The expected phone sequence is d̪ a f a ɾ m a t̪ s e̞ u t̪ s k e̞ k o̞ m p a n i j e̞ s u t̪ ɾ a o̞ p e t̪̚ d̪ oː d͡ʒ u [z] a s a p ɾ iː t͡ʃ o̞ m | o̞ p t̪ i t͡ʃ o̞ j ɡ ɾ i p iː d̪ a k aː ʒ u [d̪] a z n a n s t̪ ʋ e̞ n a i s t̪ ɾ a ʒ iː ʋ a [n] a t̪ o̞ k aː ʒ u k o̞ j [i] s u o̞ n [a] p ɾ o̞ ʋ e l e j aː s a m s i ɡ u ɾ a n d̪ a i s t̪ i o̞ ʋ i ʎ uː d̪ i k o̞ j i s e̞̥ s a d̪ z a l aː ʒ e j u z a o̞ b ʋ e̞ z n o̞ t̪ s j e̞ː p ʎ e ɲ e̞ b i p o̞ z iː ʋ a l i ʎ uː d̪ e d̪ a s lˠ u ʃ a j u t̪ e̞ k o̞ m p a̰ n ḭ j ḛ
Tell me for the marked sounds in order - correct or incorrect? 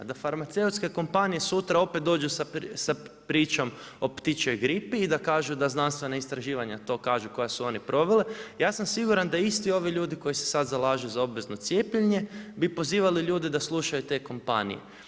incorrect: s, correct, incorrect: ɲ, incorrect: a, incorrect: i

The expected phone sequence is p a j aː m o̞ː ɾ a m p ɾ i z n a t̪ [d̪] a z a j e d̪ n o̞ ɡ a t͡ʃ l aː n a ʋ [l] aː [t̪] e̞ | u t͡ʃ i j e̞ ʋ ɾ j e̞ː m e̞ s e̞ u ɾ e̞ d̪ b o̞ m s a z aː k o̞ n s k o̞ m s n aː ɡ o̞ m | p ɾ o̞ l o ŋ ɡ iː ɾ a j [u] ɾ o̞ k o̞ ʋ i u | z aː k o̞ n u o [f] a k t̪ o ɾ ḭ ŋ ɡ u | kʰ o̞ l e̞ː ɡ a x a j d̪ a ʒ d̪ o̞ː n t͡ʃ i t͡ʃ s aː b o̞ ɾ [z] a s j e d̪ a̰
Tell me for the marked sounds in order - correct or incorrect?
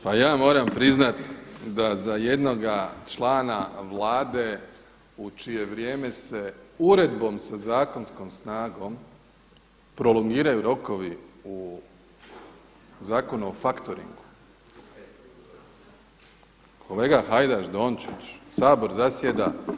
correct, correct, incorrect: d̪, correct, correct, correct

